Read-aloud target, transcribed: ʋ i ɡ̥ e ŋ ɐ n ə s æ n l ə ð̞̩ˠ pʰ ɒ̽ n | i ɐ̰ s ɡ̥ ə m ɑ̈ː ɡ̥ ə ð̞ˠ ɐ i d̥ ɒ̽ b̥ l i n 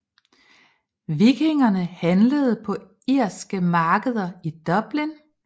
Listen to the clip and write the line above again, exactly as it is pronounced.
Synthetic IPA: ʋ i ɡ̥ e ŋ ɐ n ə h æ n l ə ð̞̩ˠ pʰ ɒ̽ | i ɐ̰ s ɡ̥ ə m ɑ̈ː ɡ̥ ə ð̞ˠ ɐ i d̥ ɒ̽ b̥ l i n